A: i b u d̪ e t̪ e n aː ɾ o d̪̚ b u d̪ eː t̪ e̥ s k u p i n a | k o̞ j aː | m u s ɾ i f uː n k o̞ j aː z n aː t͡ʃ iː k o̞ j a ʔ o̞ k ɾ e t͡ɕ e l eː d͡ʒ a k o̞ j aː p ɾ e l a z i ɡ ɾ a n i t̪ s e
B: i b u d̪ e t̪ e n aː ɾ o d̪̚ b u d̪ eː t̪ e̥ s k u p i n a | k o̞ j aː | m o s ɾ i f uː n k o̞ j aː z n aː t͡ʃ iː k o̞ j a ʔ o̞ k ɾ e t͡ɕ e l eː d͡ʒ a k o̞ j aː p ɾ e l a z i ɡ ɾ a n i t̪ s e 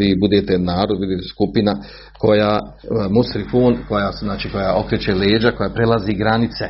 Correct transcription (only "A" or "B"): A